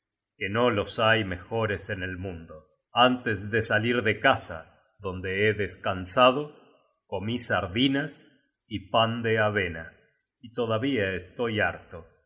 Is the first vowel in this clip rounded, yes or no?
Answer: no